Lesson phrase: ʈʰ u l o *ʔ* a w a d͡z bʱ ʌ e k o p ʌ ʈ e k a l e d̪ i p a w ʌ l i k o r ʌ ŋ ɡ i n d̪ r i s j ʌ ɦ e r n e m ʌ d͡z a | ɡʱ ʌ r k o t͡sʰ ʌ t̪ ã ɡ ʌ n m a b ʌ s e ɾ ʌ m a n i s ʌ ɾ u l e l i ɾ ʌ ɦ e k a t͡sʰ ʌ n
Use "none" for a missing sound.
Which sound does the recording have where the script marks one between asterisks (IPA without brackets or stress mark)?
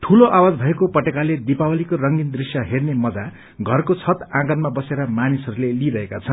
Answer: ʔ